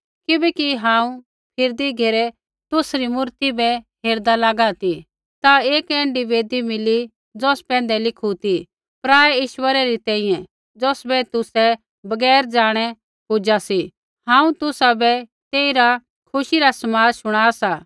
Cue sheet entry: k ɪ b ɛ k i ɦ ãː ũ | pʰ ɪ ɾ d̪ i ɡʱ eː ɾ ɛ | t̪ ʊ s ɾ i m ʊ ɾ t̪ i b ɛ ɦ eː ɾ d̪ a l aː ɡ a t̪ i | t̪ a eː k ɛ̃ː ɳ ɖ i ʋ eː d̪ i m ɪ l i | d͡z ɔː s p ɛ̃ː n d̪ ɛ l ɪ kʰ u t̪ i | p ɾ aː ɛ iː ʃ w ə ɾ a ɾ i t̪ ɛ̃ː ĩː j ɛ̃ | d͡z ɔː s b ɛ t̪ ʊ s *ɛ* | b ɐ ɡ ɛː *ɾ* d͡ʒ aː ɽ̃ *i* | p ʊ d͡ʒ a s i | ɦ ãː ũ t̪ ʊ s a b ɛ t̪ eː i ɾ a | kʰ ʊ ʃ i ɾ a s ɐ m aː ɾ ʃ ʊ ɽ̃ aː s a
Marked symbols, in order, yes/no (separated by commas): yes, yes, no